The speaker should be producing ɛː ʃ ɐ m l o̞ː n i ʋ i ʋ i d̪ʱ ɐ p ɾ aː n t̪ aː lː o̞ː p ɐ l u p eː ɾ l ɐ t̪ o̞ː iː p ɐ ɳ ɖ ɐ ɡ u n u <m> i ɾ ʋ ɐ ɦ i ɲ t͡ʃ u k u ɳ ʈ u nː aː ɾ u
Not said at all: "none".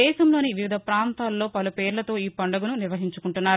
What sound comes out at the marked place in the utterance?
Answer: n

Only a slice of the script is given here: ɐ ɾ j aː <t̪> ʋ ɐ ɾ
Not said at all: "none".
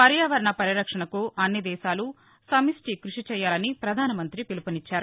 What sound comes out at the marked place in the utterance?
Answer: none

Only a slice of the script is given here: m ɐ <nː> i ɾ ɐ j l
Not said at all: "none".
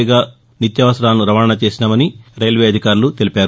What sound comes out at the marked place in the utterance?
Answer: n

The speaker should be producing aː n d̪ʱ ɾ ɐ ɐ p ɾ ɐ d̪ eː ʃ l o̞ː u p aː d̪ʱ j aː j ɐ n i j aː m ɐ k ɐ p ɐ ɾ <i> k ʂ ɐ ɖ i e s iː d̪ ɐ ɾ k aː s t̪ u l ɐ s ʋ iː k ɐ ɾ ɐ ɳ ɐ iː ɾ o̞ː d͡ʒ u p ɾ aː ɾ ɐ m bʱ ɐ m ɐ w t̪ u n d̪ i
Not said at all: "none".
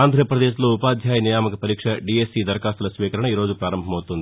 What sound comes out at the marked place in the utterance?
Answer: iː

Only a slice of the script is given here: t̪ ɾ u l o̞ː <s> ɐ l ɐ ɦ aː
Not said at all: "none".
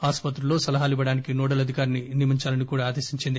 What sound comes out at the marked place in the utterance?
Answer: s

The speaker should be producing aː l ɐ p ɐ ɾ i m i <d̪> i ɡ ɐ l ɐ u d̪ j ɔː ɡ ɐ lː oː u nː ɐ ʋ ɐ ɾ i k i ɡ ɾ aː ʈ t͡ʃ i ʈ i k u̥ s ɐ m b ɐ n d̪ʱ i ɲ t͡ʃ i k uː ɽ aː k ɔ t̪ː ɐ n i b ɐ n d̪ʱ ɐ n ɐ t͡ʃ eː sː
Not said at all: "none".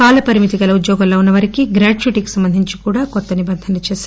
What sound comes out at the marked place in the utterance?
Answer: t̪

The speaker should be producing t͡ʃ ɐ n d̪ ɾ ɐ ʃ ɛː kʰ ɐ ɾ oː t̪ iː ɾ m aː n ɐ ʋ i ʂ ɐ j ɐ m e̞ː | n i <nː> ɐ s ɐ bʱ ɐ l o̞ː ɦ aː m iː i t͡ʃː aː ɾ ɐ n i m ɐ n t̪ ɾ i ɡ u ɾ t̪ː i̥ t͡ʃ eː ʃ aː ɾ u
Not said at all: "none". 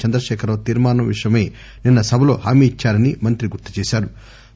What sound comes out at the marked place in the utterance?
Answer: nː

